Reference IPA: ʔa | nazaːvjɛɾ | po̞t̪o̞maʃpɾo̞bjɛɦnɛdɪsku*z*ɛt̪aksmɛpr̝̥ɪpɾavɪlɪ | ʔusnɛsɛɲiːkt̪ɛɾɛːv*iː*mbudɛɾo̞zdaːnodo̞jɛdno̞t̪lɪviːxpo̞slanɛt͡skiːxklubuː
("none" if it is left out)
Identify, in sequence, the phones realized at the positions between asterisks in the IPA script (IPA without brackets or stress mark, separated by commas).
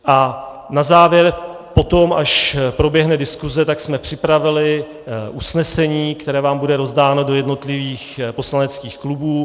z, aː